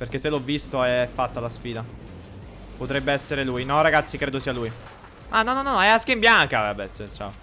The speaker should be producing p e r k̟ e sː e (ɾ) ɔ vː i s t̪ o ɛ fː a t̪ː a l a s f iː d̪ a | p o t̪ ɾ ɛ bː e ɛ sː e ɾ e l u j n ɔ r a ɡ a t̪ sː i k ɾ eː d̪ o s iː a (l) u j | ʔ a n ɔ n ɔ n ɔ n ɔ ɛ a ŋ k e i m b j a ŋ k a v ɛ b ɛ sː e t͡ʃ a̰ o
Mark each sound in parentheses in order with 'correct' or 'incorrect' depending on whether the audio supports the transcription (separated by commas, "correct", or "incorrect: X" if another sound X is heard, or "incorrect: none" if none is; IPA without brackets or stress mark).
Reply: incorrect: l, correct